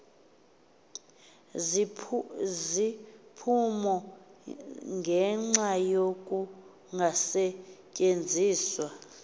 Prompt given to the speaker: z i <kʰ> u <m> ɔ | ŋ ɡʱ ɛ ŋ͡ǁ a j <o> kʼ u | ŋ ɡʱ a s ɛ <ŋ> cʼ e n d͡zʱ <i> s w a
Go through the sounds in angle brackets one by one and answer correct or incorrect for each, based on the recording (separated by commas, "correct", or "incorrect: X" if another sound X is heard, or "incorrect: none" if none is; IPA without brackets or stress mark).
incorrect: pʰ, correct, correct, incorrect: none, incorrect: iː